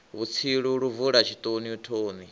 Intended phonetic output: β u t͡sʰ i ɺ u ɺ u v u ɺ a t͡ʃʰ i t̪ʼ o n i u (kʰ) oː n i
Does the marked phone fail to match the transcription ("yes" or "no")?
yes